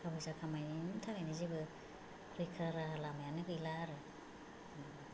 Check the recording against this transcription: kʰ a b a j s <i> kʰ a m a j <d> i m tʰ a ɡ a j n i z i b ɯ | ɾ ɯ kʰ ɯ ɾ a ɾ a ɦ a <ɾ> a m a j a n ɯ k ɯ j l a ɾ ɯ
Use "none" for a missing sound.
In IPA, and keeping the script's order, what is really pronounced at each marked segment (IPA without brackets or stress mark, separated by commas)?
a, n, l